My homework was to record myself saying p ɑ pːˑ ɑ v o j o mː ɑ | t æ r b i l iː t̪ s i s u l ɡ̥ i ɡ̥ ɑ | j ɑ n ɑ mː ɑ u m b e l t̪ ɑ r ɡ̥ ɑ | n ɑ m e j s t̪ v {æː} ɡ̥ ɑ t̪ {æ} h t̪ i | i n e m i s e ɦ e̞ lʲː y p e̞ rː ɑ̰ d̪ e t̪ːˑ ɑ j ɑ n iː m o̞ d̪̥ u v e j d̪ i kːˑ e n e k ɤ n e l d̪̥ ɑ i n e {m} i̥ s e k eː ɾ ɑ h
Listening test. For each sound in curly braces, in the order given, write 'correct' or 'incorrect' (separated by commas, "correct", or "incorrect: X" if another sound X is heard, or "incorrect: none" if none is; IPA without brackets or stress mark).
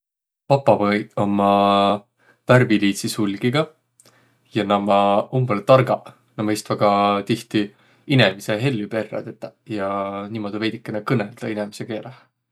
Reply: incorrect: æ, incorrect: i, correct